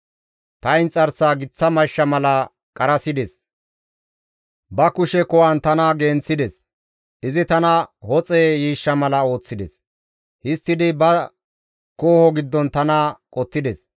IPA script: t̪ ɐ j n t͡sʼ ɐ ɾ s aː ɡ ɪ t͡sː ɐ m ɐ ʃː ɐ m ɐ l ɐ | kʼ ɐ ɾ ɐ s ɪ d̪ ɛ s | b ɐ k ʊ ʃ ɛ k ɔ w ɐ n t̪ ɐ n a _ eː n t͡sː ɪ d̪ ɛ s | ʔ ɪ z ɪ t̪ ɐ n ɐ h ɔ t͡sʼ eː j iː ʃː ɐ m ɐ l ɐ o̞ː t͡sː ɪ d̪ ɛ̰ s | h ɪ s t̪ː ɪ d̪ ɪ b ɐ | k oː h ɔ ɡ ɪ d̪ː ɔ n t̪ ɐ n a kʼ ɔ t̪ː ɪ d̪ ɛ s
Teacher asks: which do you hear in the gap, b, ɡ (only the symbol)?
ɡ